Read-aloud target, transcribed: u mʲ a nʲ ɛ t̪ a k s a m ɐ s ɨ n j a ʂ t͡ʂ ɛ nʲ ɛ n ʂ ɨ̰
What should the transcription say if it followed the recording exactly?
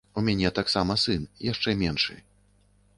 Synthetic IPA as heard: u mʲ a nʲ ɛ t̪ a k s a m ɐ s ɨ n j a ʂ t͡ʂ ɛ mʲ ɛ n ʂ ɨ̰